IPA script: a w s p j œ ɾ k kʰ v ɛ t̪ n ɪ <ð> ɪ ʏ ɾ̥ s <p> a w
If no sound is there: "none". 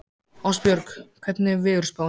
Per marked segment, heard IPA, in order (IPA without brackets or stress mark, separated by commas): v, p